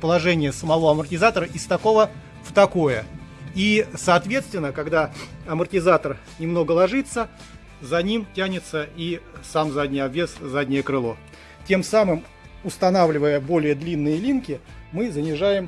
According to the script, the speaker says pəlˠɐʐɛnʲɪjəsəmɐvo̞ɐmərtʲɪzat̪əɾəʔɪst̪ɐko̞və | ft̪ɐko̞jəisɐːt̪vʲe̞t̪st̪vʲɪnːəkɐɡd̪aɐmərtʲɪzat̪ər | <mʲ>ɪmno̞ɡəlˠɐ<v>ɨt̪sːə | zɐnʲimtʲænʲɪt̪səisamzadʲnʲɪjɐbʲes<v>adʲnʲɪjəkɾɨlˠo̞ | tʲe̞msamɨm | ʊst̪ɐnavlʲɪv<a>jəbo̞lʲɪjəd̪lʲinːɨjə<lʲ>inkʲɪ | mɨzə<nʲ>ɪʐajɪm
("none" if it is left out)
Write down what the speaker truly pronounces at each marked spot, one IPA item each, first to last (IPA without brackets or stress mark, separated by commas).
nʲ, ʐ, z, ə, lʲ, nʲ